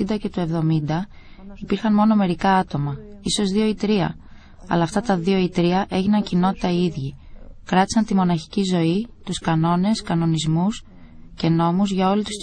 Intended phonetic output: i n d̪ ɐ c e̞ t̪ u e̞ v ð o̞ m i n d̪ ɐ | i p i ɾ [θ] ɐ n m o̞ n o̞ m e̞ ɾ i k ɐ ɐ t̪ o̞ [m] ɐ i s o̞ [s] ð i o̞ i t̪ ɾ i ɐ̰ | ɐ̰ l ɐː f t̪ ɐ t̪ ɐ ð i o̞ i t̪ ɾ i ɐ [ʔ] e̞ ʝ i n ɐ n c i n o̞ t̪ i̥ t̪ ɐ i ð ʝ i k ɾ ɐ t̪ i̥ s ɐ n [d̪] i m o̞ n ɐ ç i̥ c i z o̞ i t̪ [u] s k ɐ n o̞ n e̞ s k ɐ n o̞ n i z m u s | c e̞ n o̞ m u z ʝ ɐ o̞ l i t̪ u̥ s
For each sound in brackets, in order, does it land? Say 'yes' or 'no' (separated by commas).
no, yes, no, yes, no, yes